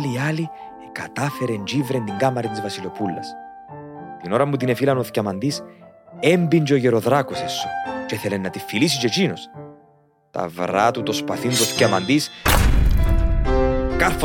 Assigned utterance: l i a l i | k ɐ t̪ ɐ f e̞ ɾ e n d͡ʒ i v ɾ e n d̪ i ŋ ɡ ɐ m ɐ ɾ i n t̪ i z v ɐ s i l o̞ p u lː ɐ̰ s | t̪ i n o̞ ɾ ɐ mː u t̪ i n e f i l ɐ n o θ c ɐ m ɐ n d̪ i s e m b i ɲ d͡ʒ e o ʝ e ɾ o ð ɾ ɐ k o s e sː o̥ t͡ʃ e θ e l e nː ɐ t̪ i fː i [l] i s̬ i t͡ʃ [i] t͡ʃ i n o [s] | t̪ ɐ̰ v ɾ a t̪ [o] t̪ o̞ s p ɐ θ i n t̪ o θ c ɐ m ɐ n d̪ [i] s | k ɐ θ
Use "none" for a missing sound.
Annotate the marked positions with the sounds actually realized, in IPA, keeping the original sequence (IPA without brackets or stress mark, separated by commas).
l, e, s, u, i